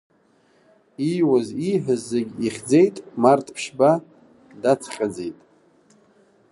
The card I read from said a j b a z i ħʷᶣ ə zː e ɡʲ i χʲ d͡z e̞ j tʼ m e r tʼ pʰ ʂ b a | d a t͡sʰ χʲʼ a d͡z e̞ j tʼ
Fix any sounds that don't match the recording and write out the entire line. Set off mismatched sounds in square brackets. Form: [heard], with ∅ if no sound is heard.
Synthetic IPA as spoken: [i] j [w] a z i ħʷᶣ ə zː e ɡʲ i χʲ d͡z e̞ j tʼ m [a] r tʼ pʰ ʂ b a | d a t͡sʰ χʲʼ a d͡z e̞ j tʼ